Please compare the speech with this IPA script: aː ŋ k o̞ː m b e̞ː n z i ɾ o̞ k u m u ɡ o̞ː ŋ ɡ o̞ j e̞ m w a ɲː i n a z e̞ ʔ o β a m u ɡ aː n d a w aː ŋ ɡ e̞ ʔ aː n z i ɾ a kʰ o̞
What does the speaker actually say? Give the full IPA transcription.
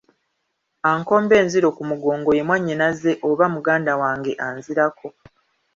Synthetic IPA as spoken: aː ŋ k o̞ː m b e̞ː n z i ɾ o̞ k u m u ɡ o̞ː ŋ ɡ o̞ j e̞ m w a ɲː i n a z e̞ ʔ o β a m u ɡ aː n d a w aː ŋ ɡ e̞ ʔ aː n z i ɾ a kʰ o̞